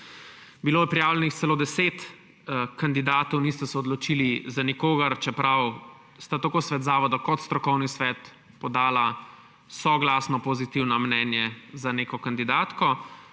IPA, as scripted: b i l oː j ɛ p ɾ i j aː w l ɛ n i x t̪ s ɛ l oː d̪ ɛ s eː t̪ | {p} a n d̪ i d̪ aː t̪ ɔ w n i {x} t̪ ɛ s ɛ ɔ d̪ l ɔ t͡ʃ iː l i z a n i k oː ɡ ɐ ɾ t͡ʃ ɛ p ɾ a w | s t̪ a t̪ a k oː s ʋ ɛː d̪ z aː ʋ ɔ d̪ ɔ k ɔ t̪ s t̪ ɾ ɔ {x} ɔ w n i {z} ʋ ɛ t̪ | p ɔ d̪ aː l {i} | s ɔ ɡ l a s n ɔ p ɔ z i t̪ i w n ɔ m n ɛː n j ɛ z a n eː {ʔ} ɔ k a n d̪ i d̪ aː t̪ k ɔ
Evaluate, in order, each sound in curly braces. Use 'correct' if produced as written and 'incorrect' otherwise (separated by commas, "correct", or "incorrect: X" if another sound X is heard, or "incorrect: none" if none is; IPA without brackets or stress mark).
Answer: incorrect: k, incorrect: s, incorrect: k, incorrect: s, incorrect: a, incorrect: k